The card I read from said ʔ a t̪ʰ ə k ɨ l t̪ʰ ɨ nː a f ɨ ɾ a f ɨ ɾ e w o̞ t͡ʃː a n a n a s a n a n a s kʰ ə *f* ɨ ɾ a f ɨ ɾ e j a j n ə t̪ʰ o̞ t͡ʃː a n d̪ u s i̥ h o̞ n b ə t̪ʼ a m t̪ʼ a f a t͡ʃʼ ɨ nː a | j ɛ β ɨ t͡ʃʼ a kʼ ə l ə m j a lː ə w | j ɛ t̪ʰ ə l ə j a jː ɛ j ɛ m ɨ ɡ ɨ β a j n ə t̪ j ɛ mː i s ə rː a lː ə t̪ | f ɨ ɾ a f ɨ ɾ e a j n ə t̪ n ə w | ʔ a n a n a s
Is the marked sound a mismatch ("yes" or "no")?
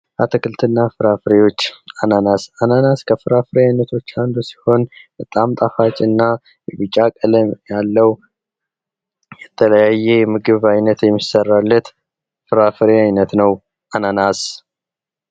no